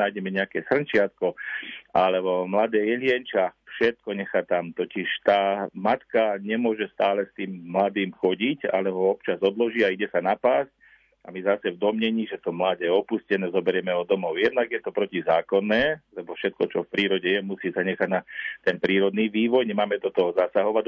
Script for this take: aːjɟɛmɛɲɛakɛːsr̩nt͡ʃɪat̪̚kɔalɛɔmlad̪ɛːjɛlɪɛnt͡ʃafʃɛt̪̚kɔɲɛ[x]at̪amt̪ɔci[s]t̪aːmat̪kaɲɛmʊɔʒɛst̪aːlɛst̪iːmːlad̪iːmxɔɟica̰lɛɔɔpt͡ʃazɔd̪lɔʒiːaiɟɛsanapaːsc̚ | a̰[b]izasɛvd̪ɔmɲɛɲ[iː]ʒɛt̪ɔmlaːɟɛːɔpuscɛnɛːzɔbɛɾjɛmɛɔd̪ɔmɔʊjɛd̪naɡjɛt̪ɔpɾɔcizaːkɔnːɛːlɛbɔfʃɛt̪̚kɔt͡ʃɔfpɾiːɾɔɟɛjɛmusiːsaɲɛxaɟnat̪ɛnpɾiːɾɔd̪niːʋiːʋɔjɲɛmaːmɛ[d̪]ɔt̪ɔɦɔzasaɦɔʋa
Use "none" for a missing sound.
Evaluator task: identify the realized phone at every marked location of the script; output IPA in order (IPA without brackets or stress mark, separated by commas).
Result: x, ʃ, m, iː, d̪